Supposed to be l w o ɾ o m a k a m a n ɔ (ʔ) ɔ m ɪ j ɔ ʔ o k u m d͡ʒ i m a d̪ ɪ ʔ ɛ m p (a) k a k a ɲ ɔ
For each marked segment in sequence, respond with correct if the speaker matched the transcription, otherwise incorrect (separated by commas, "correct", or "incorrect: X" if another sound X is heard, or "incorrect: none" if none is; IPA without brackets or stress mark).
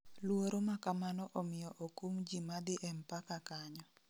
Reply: correct, correct